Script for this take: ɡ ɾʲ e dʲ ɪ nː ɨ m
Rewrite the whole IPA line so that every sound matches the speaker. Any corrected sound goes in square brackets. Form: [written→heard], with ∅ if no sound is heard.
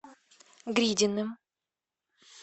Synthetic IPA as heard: ɡ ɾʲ [e→i] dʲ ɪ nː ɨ m